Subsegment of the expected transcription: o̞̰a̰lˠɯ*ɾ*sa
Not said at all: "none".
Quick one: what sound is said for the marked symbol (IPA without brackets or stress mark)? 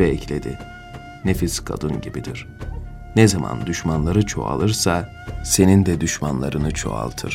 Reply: ɾ